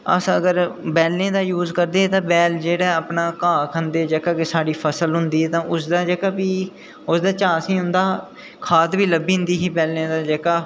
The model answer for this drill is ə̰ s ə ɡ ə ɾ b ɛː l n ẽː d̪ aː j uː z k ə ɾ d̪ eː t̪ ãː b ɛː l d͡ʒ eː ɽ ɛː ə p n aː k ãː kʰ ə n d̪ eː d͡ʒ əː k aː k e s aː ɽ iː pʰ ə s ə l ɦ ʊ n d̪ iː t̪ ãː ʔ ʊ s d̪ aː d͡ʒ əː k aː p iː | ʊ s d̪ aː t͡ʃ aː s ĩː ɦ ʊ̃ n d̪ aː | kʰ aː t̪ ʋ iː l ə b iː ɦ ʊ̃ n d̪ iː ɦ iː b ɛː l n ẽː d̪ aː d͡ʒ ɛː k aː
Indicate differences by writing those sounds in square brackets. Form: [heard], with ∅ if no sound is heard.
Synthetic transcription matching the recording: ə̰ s ə ɡ ə ɾ b ɛː l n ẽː d̪ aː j uː z k ə ɾ d̪ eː t̪ ãː b ɛː l d͡ʒ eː ɽ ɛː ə p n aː k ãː kʰ ə n d̪ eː d͡ʒ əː k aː k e s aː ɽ iː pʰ ə s ə l ɦ ʊ n d̪ iː t̪ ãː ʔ ʊ s d̪ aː d͡ʒ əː k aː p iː | ʊ s d̪ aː t͡ʃ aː s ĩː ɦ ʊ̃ n d̪ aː | kʰ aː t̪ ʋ iː l ə b iː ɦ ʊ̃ n d̪ iː ɦ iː b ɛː l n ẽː d̪ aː d͡ʒ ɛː k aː